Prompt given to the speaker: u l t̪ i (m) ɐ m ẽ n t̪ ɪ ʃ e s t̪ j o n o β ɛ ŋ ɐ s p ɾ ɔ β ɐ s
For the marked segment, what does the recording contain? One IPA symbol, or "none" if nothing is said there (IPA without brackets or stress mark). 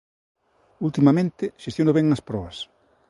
m